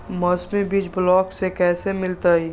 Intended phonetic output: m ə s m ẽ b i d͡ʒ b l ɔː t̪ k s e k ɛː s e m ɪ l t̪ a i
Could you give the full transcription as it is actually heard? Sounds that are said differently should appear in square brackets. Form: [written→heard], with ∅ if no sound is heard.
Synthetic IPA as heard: m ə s m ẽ b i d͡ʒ b l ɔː [t̪→∅] k s e k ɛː s e m ɪ l t̪ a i